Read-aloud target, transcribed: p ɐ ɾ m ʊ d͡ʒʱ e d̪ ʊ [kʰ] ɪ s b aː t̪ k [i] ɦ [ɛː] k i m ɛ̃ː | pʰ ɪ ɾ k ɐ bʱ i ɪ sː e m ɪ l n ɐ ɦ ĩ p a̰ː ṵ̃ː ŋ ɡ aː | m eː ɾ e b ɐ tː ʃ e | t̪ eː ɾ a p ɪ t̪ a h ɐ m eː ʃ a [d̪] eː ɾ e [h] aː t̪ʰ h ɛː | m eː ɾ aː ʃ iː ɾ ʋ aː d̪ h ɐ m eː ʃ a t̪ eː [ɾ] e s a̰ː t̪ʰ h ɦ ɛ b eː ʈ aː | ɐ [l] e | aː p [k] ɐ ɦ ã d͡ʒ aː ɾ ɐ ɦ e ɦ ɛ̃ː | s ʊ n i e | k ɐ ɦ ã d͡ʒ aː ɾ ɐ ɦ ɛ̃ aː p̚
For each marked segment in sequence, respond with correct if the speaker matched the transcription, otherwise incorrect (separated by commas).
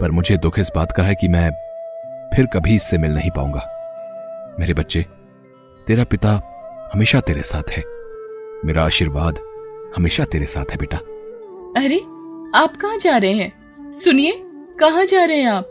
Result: correct, incorrect, incorrect, incorrect, incorrect, correct, incorrect, correct